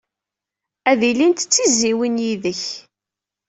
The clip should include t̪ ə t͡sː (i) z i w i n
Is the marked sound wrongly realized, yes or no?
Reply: no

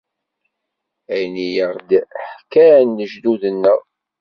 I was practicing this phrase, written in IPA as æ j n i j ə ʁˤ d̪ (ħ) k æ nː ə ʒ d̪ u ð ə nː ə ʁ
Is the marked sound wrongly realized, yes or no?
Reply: no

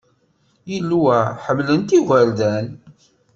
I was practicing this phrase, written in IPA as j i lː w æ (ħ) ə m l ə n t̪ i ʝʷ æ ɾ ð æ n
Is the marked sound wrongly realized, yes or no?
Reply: no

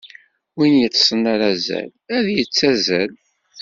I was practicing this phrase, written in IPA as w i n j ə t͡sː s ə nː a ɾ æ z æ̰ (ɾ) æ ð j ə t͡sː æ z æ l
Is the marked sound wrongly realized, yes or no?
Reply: yes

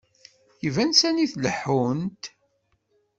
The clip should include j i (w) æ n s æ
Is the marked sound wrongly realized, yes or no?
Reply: yes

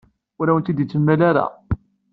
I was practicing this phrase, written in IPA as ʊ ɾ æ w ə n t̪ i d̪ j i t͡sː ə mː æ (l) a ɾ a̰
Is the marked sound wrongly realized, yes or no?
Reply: no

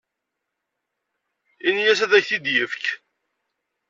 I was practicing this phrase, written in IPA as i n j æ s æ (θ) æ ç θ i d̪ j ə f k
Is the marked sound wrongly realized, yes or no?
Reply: yes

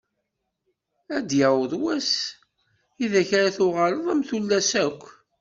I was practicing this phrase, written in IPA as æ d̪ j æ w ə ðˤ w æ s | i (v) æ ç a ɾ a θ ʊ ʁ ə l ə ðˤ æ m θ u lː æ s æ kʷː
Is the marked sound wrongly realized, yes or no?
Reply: yes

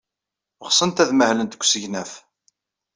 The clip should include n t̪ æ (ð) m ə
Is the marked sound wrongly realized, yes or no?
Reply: no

